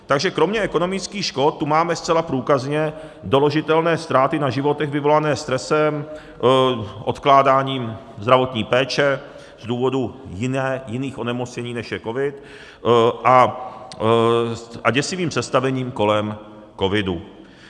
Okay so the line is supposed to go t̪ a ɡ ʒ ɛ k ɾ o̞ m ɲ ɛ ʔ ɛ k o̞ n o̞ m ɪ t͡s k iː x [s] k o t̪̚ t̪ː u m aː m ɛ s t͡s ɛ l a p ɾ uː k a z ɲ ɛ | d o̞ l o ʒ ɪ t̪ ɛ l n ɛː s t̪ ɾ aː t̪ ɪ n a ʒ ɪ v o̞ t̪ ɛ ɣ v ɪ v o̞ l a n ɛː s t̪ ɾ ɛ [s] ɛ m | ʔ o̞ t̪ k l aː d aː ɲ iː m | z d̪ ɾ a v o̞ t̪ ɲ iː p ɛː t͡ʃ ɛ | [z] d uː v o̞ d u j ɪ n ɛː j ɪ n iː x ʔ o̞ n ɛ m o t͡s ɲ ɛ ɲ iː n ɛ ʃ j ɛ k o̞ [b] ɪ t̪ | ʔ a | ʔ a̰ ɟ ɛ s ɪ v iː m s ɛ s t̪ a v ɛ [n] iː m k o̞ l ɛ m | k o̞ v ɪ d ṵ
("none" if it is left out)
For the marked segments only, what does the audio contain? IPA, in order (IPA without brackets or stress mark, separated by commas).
ʃ, s, z, v, ɲ